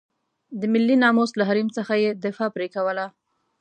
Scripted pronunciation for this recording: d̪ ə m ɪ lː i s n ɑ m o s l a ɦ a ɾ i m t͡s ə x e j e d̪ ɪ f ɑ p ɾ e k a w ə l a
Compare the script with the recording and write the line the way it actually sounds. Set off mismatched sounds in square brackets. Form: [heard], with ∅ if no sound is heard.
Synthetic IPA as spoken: d̪ ə m ɪ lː i [∅] n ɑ m o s l a ɦ a ɾ i m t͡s ə x [a] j e d̪ ɪ f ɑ p ɾ e k a w ə l a